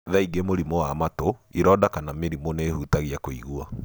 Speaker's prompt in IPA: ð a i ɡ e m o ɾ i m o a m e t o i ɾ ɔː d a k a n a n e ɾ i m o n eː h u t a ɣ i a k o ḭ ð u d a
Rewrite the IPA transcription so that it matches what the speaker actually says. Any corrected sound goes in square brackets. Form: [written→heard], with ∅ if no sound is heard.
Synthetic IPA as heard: ð a i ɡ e m o ɾ i m o a m [e→a] t o i ɾ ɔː d a k a n a [n→m] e ɾ i m o n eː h u t a ɣ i a k o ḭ [ð→ɣ] u [d→∅] a